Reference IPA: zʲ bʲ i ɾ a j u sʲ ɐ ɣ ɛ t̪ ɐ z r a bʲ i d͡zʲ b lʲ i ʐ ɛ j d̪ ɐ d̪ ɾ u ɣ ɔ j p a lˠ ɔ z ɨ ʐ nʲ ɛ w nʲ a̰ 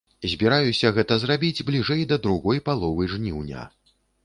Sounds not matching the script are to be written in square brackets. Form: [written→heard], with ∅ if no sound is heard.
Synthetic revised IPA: zʲ bʲ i ɾ a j u sʲ ɐ ɣ ɛ t̪ ɐ z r a bʲ i d͡zʲ b lʲ i ʐ ɛ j d̪ ɐ d̪ ɾ u ɣ ɔ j p a lˠ ɔ [z→v] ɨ ʐ nʲ [ɛ→i] w nʲ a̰